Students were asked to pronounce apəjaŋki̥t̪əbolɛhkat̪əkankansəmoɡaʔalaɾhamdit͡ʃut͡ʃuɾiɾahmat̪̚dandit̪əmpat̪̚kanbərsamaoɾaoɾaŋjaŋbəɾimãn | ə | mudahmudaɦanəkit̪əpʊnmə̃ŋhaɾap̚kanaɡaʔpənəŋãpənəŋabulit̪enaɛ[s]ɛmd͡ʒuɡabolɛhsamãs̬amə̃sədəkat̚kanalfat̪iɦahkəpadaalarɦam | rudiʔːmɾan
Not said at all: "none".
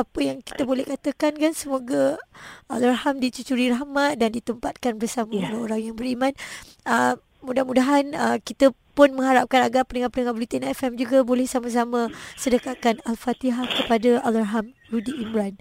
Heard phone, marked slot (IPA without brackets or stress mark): f